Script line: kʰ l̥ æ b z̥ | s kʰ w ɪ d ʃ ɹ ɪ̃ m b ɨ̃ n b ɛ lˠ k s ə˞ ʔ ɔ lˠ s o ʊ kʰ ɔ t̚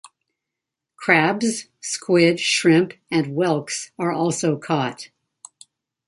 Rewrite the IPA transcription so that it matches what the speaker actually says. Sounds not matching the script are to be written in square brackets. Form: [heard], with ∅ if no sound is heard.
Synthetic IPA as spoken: kʰ [ɹ̥] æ b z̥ | s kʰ w ɪ d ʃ ɹ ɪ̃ m [p] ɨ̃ n [w] ɛ lˠ k s ə˞ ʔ ɔ lˠ s o ʊ kʰ ɔ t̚